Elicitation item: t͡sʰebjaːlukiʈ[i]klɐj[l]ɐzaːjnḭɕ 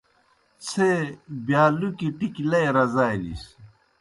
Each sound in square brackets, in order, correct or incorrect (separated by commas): correct, incorrect